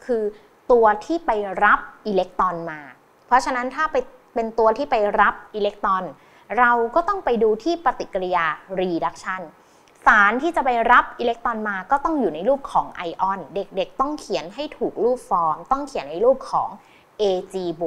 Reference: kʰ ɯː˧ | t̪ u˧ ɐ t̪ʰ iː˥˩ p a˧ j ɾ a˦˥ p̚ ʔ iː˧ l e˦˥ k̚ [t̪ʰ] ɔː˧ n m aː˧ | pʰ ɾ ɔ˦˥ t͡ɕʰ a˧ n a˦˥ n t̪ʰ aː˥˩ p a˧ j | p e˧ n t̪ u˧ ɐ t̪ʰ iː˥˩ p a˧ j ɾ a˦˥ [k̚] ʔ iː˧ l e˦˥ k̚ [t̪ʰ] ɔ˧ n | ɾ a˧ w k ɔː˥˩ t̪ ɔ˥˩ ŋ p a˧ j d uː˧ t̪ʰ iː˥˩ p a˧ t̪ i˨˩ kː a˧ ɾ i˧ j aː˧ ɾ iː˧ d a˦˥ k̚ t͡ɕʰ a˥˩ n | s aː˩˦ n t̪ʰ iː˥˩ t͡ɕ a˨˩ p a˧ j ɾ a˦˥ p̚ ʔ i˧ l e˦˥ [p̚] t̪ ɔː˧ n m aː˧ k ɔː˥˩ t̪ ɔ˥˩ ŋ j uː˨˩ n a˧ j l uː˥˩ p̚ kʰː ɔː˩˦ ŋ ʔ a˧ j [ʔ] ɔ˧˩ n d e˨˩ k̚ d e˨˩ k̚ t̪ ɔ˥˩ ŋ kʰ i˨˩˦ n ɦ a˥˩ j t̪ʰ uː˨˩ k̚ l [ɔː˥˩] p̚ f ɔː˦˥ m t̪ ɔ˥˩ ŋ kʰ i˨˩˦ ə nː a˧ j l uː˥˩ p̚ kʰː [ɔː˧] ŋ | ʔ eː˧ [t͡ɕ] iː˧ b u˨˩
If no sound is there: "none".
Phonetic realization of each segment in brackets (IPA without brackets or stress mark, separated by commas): t̪, p̚, t̪, k̚, ʔ, uː˥˩, ɔː˩˦, t͡ɕ